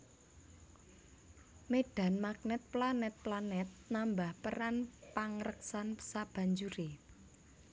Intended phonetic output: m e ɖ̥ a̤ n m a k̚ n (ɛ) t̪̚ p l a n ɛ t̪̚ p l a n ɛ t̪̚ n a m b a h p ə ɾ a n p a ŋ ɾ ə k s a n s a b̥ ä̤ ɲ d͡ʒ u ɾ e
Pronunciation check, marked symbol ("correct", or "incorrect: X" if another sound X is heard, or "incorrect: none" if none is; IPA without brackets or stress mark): correct